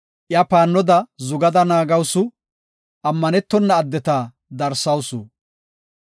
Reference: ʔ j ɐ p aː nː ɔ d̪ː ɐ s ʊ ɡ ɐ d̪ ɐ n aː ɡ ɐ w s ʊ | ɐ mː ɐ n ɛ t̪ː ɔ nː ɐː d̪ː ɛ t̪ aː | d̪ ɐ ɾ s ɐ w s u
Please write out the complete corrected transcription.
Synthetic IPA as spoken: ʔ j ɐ p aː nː ɔ d̪ ɐ z ʊ ɡ ɐ d̪ ɐ n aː ɡ ɐ w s ʊ | ɐ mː ɐ n ɛ t̪ː ɔ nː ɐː d̪ː ɛ t̪ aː | d̪ ɐ ɾ s ɐ w s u